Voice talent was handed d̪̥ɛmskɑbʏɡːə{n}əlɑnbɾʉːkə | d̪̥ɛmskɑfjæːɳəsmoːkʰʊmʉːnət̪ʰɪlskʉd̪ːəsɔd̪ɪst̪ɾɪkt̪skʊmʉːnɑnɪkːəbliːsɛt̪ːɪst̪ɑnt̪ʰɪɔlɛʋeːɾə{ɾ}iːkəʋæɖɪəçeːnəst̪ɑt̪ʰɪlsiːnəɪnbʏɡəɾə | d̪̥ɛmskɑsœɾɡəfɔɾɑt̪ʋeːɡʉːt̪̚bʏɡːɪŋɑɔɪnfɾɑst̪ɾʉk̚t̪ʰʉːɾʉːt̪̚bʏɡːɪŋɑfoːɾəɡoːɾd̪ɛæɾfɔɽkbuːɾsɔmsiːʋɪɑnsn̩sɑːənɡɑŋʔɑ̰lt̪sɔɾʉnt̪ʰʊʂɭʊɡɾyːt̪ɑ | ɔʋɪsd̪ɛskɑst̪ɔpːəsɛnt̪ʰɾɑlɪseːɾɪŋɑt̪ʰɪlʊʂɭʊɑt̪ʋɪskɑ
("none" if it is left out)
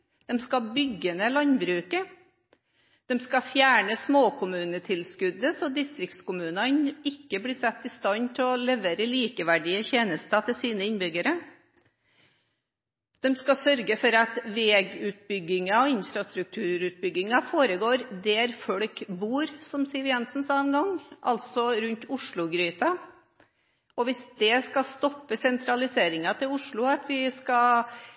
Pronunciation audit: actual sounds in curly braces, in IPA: n, l

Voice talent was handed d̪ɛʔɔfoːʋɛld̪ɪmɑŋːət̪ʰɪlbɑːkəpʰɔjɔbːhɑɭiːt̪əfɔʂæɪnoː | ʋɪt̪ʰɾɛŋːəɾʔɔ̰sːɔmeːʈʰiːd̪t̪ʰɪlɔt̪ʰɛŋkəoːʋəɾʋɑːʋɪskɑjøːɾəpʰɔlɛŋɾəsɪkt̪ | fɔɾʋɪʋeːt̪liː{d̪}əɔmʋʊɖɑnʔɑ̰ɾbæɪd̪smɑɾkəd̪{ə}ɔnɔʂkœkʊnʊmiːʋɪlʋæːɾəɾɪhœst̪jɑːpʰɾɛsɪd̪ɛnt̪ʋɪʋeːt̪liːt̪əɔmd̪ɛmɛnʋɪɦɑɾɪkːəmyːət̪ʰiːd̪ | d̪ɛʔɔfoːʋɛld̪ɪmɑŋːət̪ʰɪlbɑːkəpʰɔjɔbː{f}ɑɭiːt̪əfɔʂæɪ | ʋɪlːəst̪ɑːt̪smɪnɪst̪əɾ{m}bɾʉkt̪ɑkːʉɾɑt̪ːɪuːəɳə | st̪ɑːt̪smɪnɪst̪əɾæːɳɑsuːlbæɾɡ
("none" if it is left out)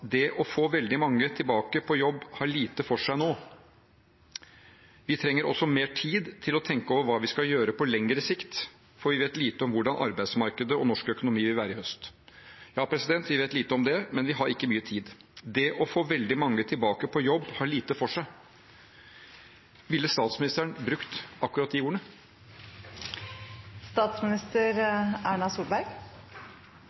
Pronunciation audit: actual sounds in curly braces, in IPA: t̪, ə, h, ɳ

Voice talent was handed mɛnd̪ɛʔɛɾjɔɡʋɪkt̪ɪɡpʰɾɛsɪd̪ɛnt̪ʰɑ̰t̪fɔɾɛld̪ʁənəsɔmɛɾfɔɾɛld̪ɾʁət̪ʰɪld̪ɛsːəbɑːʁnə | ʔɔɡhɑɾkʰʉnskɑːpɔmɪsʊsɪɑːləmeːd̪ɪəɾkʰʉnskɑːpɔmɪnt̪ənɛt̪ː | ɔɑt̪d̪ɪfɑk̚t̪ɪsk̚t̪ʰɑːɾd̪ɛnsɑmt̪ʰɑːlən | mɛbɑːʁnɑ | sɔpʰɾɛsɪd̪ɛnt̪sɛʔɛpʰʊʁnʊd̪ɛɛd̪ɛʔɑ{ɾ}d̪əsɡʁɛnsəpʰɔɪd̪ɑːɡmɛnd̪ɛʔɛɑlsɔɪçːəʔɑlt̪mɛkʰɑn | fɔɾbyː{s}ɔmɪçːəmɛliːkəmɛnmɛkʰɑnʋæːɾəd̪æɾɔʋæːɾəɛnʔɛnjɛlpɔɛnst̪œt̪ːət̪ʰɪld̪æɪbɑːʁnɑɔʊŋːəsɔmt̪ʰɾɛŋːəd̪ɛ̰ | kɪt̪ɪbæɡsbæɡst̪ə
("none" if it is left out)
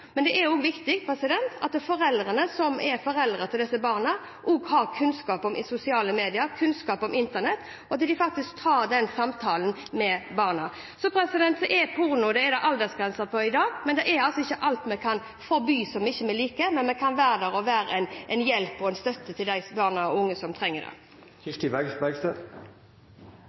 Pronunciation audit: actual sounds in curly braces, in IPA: l, s

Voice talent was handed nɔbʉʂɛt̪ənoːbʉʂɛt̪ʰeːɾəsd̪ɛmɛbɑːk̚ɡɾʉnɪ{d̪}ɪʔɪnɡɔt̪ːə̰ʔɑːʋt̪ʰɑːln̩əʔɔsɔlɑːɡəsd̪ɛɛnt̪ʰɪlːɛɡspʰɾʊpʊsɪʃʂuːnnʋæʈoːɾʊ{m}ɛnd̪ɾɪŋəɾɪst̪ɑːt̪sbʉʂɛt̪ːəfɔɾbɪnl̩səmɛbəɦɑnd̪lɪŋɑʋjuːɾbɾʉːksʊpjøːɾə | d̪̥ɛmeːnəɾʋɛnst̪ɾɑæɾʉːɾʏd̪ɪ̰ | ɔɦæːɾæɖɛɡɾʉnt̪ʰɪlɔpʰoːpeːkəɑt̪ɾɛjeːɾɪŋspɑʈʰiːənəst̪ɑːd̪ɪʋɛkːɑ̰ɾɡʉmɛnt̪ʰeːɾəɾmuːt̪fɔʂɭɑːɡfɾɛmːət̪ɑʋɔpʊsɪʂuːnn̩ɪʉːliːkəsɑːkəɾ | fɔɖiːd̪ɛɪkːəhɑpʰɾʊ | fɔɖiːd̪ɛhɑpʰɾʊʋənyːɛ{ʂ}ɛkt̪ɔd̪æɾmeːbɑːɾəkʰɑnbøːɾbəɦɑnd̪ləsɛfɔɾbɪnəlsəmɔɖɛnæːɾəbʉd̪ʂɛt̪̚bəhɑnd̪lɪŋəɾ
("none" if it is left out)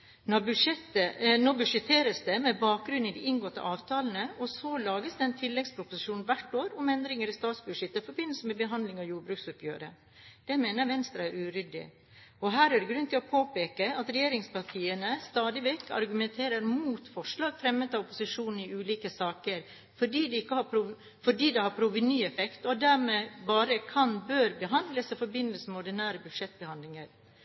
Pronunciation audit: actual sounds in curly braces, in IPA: d̪, m, f

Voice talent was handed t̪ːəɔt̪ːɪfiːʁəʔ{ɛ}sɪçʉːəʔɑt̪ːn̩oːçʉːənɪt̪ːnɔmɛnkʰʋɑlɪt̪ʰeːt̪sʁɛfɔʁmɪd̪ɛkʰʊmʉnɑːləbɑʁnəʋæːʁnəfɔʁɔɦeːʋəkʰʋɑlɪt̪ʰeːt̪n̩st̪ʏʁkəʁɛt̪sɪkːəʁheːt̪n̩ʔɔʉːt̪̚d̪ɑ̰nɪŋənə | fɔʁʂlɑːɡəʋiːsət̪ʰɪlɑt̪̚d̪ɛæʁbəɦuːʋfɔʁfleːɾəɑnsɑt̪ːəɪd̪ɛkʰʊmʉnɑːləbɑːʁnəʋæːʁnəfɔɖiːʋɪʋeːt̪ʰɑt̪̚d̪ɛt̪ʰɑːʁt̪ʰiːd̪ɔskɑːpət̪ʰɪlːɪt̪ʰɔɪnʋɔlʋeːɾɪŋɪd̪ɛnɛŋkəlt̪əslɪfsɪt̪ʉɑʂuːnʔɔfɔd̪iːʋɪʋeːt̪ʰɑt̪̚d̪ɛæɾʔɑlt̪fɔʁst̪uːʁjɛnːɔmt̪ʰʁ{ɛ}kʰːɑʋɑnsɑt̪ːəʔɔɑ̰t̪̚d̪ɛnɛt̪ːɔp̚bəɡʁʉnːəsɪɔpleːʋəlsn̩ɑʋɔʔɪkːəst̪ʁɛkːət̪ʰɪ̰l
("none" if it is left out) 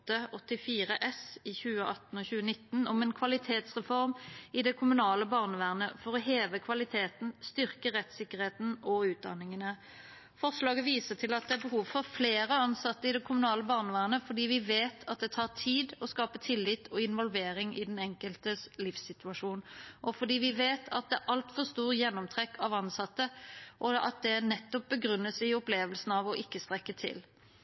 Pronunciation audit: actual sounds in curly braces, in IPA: ɛ, ɛ

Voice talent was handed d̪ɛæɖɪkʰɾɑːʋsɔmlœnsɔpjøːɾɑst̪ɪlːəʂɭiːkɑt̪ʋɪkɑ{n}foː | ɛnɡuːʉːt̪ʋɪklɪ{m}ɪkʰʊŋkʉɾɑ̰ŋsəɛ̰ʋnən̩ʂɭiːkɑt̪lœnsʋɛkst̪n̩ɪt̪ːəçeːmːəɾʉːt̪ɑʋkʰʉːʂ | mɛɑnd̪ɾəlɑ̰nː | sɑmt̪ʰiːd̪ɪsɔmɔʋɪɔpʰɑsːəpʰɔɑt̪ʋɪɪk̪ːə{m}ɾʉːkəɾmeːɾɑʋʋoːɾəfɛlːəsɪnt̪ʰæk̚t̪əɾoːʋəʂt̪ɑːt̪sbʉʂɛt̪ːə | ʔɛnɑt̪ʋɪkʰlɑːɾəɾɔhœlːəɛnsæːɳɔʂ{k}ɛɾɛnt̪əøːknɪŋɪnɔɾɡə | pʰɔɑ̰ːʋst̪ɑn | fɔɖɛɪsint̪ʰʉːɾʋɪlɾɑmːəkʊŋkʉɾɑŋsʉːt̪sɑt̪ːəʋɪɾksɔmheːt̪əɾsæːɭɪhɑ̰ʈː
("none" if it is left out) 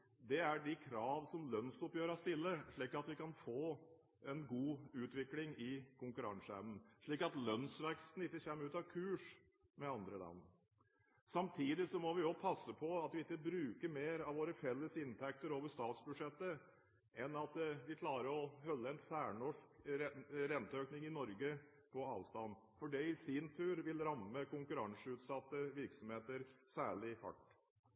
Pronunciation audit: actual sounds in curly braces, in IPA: n, ŋ, b, k

